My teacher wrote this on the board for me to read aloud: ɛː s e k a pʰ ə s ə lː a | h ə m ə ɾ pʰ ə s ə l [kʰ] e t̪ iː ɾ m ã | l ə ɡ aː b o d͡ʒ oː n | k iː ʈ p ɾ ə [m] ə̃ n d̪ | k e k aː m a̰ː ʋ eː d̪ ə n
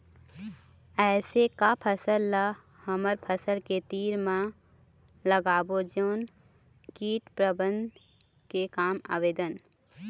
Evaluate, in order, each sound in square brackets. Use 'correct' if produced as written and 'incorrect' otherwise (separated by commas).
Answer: incorrect, incorrect